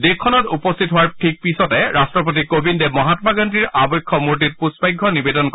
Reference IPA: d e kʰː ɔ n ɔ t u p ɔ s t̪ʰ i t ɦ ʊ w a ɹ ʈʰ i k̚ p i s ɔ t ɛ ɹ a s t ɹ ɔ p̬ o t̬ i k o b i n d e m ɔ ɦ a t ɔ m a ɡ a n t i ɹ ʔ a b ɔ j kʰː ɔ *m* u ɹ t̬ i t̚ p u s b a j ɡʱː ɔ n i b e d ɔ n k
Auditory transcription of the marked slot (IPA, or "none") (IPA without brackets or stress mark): m